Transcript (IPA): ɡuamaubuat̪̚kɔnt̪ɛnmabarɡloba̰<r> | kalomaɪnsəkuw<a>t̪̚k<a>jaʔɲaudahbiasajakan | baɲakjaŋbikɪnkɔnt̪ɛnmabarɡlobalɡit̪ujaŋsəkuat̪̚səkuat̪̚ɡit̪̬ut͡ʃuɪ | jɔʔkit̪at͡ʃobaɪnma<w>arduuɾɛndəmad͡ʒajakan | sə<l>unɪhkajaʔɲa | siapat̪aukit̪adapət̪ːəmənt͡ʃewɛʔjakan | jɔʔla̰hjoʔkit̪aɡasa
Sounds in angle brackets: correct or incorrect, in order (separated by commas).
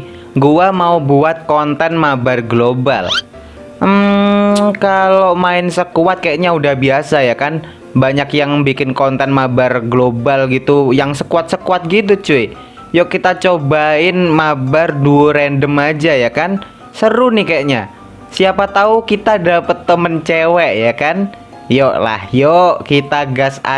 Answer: incorrect, correct, correct, incorrect, incorrect